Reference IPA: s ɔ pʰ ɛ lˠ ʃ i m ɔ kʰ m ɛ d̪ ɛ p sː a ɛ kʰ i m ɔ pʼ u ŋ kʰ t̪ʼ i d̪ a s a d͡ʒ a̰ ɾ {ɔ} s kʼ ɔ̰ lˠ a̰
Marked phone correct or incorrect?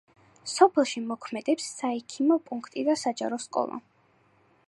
correct